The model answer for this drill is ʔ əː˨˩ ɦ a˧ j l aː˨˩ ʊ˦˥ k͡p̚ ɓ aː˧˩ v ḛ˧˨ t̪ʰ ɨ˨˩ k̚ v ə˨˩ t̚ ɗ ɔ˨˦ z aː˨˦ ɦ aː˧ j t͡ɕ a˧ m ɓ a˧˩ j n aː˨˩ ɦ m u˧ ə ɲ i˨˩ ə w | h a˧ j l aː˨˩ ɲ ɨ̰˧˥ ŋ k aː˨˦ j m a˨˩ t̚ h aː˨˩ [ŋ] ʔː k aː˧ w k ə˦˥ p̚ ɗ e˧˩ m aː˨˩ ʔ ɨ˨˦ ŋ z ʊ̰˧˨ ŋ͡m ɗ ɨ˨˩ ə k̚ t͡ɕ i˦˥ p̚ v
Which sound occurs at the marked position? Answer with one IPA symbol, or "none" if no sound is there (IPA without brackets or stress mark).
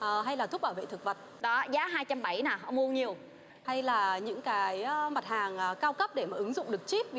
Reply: ŋ